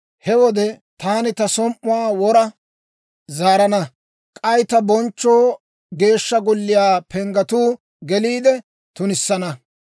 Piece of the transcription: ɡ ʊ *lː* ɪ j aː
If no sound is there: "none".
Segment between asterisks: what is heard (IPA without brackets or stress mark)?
lː